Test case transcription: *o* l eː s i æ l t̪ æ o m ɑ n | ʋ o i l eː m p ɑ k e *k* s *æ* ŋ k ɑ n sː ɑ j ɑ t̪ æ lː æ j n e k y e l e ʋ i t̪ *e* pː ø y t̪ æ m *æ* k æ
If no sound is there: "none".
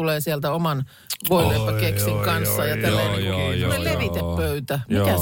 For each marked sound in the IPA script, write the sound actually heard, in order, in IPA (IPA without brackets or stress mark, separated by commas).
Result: u, k, i, e, i